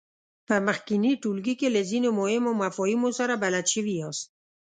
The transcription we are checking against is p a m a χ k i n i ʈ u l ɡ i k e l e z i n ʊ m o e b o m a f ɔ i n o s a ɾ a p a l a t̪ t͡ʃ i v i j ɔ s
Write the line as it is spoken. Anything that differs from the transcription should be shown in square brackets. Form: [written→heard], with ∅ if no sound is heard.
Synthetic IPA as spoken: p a m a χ k i n i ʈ u l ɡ i k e l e z i n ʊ m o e [b→m] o m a f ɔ i [n→m] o s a ɾ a [p→b] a l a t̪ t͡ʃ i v i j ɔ s